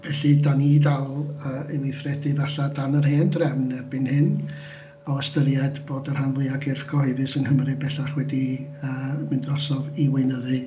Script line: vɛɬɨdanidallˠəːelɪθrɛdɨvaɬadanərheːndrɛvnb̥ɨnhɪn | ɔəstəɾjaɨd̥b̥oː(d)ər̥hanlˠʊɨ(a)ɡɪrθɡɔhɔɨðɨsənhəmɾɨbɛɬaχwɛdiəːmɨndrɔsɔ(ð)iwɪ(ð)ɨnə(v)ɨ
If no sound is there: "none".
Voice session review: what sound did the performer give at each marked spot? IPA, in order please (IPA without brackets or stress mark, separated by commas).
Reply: d, a, v, none, ð